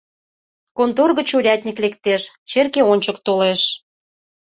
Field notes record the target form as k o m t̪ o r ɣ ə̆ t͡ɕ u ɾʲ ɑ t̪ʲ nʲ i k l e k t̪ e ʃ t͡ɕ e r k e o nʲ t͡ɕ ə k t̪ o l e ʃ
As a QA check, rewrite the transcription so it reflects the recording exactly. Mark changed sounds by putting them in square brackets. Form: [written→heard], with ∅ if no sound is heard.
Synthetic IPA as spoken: k o [m→n] t̪ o r ɣ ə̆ t͡ɕ u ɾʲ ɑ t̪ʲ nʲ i k l e k t̪ e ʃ t͡ɕ e r k e o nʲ t͡ɕ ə k t̪ o l e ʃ